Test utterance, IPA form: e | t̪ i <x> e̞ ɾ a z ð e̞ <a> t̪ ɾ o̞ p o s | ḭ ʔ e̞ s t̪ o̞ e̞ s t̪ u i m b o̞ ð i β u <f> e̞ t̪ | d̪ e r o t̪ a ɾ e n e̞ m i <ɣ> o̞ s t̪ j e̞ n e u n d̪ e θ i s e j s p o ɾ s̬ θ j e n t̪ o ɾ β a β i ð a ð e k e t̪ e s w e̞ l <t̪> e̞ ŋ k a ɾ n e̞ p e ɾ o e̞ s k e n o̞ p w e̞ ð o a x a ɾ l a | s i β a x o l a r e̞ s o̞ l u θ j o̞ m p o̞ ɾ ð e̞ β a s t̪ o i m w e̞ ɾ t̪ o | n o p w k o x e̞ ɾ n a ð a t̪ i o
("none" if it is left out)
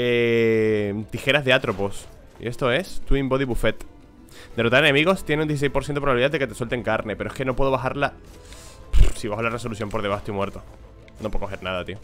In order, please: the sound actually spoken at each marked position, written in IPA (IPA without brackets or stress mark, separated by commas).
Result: x, a, f, ɣ, t̪